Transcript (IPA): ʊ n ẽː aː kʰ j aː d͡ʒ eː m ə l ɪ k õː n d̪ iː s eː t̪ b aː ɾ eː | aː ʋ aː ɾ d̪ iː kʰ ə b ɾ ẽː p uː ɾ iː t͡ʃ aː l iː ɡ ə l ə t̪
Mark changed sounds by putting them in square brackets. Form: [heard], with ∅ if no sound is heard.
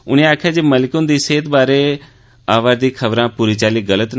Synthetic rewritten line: ʊ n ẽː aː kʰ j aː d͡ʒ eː m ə l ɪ k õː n d̪ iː s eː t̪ b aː ɾ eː | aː ʋ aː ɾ d̪ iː kʰ ə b ɾ [ãː] p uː ɾ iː t͡ʃ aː l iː ɡ ə l ə t̪